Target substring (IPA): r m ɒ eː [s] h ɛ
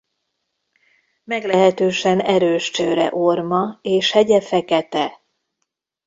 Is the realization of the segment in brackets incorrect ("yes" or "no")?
yes